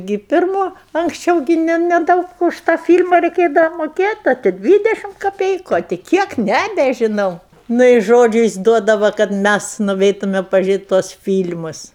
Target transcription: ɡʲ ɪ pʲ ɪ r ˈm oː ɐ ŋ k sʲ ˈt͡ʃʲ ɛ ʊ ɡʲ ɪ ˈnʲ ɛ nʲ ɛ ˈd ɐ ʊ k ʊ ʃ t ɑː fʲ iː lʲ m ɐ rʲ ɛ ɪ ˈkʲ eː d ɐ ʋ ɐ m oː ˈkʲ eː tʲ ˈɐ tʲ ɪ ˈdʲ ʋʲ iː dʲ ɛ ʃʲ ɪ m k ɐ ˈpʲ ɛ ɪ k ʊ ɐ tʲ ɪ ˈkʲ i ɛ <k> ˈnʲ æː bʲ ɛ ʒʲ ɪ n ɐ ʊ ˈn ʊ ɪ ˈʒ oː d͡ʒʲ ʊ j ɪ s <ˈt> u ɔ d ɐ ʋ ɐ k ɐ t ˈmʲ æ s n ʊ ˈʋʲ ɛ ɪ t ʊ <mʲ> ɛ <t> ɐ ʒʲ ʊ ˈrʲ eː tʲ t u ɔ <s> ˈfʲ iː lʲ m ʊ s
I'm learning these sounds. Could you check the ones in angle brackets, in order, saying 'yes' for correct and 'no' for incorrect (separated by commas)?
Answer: yes, no, yes, no, yes